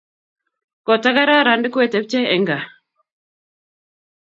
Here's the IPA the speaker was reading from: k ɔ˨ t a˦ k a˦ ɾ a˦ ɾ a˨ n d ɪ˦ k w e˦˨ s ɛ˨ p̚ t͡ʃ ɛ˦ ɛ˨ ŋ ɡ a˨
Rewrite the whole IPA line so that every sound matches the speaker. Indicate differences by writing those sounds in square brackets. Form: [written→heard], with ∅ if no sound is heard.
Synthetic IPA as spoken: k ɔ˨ t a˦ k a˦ ɾ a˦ ɾ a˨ n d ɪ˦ k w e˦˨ [s→t] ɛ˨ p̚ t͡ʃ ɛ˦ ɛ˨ ŋ ɡ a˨

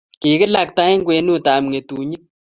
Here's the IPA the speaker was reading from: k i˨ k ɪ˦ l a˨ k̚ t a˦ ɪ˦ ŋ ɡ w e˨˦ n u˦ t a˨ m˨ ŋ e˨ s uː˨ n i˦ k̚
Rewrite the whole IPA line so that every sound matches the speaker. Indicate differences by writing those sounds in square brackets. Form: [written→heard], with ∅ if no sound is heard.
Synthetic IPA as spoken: k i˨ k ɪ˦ l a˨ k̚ t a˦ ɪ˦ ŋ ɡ w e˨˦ n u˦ t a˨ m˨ ŋ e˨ [s→t] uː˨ [n→ɲ] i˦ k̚

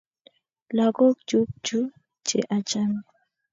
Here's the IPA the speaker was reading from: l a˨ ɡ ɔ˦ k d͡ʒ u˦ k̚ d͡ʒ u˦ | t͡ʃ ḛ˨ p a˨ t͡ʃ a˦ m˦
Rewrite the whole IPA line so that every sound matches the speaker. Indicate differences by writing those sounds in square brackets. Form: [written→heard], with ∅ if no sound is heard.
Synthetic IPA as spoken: l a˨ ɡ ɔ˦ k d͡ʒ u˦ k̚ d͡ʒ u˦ | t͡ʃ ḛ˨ [p→ʔ] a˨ t͡ʃ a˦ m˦

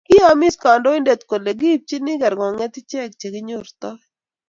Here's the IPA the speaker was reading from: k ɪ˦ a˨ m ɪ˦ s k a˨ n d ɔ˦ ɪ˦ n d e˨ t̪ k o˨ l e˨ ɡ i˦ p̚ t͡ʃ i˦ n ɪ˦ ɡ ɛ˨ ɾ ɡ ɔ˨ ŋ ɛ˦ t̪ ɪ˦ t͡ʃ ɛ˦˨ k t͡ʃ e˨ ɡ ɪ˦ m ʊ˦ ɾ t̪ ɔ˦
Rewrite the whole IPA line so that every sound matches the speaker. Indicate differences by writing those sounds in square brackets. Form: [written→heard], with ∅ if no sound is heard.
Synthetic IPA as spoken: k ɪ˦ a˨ m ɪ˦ s k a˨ n d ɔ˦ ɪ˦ n d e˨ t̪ k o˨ l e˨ ɡ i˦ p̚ t͡ʃ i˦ n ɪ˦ ɡ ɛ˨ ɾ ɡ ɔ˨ ŋ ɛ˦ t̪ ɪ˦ t͡ʃ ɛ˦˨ k t͡ʃ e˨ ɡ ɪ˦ [m→ɲ] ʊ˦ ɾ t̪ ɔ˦

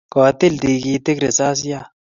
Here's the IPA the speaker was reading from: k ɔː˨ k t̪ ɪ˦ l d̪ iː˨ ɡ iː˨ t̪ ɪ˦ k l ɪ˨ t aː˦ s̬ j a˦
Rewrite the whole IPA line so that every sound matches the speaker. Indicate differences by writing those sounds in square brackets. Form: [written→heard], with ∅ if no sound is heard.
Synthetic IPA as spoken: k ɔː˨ [k→∅] t̪ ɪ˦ l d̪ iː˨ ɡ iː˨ t̪ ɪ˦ k [l→ɾ] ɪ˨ [t→s] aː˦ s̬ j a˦

